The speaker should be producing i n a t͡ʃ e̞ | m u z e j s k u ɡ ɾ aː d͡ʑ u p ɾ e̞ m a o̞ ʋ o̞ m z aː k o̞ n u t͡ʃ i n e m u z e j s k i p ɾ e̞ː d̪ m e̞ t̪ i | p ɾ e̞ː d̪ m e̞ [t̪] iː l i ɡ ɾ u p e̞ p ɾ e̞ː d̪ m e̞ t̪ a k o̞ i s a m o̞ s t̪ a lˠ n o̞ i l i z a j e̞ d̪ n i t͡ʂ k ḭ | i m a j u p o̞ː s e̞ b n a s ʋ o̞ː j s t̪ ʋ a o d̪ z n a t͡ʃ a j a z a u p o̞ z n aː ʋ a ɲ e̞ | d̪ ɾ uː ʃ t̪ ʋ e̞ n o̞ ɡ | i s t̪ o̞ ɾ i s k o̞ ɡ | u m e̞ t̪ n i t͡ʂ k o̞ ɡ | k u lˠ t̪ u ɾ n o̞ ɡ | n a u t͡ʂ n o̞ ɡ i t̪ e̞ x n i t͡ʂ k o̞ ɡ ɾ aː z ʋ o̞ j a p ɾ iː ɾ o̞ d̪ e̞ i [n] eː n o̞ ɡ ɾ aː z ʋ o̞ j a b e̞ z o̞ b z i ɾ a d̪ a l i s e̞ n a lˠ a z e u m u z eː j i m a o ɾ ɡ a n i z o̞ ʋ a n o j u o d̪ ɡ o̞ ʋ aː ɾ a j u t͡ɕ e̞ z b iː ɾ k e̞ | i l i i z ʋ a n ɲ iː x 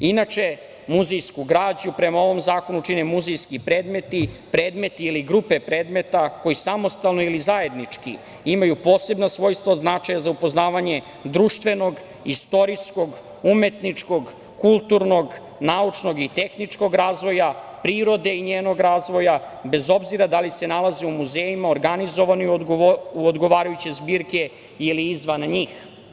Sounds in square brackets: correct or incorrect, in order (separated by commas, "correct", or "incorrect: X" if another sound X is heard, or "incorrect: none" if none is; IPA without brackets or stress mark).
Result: correct, incorrect: ɲ